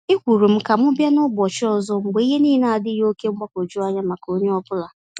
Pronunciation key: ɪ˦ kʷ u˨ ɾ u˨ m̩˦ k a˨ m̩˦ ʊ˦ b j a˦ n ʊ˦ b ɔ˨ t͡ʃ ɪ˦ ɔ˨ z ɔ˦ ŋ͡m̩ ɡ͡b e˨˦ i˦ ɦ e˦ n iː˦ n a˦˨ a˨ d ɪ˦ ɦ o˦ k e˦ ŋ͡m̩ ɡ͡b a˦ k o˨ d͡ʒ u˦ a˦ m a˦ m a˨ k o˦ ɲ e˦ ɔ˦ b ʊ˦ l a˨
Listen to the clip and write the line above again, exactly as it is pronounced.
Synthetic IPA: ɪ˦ kʷ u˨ ɾ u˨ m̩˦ k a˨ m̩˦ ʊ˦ b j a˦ n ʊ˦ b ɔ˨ t͡ʃ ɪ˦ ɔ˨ z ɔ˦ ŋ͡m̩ ɡ͡b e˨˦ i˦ ɦ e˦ n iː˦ n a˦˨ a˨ d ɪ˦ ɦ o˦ k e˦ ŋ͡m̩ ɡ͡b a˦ k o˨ d͡ʒ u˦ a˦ ɲ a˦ m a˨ k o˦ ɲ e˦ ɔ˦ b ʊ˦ l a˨